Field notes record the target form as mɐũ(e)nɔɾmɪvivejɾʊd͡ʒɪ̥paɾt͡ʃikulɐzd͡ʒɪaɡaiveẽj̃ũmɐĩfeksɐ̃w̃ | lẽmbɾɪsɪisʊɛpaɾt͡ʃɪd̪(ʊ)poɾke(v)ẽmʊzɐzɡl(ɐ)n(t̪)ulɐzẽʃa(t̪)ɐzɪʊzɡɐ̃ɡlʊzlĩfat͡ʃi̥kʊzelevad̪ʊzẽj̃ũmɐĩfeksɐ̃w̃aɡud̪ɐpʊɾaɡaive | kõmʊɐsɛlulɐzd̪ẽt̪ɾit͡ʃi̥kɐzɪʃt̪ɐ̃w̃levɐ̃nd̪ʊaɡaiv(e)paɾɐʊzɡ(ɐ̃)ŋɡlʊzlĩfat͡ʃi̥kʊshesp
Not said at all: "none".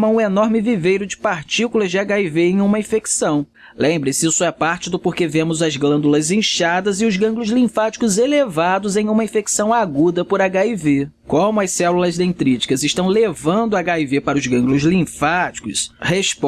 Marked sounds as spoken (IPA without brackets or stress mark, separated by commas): e, ʊ, v, ɐ̃, d̪, d̪, e, ɐ̃